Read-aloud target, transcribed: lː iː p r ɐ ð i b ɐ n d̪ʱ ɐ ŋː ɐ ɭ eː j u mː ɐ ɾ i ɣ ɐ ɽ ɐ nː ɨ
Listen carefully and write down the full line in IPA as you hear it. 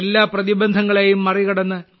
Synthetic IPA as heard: lː aː p r ɐ ð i b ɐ n d̪ʱ ɐ ŋː ɐ ɭ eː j u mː ɐ r i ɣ ɐ ɽ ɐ nː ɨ